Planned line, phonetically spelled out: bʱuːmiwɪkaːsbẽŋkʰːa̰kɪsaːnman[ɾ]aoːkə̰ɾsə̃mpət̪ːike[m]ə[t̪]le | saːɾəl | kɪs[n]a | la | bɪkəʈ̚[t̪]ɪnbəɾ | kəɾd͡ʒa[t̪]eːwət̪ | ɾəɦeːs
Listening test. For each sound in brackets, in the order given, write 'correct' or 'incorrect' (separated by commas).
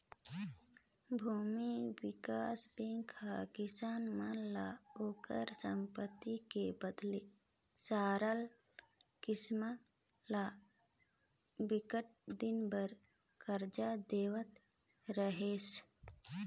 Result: incorrect, incorrect, incorrect, incorrect, incorrect, incorrect